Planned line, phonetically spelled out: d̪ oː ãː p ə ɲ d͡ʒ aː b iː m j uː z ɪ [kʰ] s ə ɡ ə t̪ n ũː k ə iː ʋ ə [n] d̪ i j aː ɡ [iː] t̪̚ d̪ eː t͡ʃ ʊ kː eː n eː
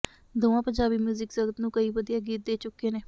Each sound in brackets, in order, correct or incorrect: incorrect: k, incorrect: none, correct

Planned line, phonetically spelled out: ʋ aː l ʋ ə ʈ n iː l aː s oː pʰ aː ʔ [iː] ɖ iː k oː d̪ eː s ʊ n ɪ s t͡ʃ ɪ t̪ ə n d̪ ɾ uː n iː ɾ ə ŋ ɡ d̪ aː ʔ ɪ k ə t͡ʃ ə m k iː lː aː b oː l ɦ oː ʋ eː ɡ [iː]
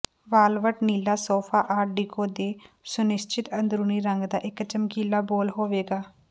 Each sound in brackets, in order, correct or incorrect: incorrect: aː, incorrect: aː

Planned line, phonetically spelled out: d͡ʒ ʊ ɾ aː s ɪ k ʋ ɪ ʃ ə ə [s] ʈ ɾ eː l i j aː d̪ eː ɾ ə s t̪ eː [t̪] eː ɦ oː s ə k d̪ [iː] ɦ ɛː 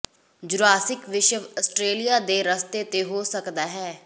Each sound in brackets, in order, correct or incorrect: correct, correct, incorrect: aː

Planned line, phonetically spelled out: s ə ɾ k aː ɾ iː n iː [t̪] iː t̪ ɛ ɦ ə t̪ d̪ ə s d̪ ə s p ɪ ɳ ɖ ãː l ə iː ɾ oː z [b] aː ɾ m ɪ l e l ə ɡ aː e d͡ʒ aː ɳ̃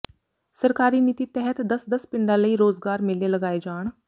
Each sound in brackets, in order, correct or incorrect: correct, incorrect: ɡ

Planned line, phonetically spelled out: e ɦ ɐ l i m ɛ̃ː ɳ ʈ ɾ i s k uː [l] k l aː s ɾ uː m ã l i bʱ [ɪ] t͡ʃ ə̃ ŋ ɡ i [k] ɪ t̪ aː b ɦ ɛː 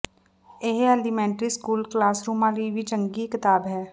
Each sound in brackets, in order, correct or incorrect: correct, incorrect: i, correct

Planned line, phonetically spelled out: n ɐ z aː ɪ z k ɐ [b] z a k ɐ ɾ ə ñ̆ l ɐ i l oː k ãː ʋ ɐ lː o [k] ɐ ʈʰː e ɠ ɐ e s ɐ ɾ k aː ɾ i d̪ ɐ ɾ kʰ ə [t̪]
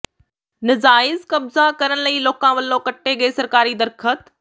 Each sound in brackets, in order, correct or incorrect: correct, correct, correct

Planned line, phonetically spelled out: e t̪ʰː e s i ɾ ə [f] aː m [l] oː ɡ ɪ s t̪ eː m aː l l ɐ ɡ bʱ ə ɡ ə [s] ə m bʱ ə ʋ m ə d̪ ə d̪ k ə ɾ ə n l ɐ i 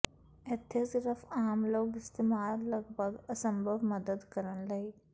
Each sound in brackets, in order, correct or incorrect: correct, correct, correct

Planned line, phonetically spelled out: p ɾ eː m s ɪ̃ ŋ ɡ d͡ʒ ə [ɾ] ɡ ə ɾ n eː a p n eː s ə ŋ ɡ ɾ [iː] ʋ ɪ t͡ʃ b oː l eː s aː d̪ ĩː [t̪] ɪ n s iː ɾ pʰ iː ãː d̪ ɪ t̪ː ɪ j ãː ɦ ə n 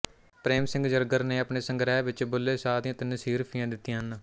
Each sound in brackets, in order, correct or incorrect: correct, incorrect: ɛː, correct

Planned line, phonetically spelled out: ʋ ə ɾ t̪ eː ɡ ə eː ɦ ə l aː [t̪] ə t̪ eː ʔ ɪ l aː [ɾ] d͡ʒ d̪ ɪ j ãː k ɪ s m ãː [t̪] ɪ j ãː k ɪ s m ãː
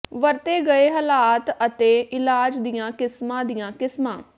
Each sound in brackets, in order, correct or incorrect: correct, incorrect: none, incorrect: d̪

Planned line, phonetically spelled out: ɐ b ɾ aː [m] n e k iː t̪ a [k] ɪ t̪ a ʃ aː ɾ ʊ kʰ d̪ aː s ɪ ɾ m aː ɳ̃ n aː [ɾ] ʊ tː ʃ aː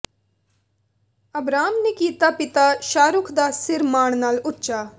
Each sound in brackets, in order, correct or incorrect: correct, incorrect: p, incorrect: l

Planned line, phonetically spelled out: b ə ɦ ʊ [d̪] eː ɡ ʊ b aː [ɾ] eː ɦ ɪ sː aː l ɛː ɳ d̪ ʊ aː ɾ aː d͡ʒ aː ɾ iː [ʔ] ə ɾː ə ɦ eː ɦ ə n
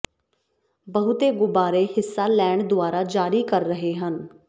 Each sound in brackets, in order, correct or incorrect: incorrect: t̪, correct, incorrect: k

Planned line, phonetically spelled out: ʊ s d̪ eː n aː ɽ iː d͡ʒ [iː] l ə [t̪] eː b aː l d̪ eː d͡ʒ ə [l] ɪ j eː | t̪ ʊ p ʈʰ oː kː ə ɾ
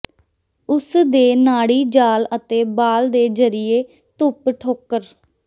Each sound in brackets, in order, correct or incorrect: incorrect: aː, correct, incorrect: ɾ

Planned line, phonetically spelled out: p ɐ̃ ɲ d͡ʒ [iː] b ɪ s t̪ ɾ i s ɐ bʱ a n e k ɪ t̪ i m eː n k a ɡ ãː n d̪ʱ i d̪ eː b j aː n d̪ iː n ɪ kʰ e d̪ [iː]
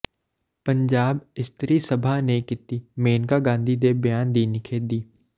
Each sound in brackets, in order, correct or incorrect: incorrect: aː, correct

